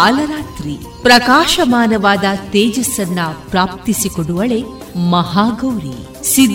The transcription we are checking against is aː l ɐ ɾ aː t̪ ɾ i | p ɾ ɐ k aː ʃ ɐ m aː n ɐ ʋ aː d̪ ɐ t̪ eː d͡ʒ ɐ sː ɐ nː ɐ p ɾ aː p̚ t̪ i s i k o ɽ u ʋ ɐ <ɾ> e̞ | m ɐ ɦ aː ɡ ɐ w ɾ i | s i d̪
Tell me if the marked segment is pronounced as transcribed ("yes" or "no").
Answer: no